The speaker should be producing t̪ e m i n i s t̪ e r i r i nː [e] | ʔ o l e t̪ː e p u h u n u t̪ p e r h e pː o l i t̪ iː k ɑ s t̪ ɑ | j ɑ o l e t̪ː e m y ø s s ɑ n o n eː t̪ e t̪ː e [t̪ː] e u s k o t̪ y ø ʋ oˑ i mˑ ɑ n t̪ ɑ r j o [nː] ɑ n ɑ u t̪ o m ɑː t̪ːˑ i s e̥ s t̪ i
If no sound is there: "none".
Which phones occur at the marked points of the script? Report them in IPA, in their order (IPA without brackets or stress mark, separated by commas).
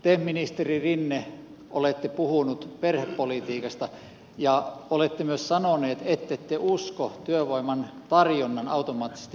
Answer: e, t̪ː, nː